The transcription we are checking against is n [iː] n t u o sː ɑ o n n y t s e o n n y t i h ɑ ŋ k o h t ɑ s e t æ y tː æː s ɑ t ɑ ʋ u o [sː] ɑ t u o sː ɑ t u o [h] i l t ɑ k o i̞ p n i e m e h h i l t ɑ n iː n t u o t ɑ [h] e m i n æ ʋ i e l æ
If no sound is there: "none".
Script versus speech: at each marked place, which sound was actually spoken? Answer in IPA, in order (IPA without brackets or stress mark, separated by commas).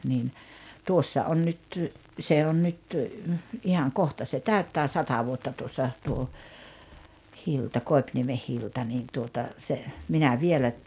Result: iː, tː, h, s